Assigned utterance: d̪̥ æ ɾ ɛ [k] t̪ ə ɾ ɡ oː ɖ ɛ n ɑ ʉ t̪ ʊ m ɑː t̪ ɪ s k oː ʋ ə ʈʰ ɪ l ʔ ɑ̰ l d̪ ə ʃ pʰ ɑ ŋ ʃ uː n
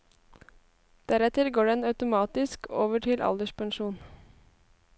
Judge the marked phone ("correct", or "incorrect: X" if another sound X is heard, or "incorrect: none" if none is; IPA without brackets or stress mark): incorrect: none